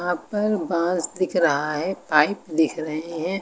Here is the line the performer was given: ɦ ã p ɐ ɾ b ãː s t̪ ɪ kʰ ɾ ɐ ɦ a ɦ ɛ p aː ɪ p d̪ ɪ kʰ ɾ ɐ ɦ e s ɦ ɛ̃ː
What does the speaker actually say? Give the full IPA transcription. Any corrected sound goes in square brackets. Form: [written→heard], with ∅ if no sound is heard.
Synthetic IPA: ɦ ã p ɐ ɾ b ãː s [t̪→d̪] ɪ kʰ ɾ ɐ ɦ a ɦ ɛ p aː ɪ p d̪ ɪ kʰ ɾ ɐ ɦ e [s→∅] ɦ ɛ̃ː